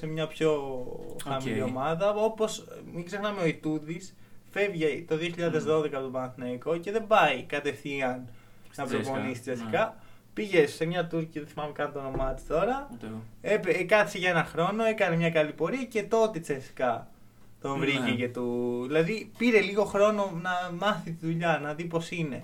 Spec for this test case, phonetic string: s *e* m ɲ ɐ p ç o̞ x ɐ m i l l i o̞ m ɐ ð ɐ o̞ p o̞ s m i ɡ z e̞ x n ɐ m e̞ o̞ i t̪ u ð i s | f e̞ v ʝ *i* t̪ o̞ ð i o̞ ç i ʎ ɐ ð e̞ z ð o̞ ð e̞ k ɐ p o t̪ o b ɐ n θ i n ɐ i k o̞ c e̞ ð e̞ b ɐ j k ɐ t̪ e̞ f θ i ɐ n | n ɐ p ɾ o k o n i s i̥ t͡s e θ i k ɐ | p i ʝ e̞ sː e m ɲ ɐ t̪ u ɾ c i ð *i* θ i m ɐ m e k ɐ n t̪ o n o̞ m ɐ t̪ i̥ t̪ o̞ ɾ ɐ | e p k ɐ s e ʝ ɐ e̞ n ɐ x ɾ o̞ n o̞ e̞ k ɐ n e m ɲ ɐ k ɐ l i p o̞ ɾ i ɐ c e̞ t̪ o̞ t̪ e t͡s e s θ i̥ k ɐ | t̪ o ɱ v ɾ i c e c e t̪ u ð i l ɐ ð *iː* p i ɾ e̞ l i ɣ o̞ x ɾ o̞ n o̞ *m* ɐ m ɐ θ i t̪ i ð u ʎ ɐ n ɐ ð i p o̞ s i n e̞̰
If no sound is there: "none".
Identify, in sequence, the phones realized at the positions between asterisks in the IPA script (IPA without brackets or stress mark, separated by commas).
e, e, e, i, n